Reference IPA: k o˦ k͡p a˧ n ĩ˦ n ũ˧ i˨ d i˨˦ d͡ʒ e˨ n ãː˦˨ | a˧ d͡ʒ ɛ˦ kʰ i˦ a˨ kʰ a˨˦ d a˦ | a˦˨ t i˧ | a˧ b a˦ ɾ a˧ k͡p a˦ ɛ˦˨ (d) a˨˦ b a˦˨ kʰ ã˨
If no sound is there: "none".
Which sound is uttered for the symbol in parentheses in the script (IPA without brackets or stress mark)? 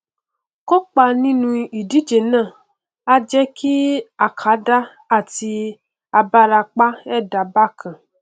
d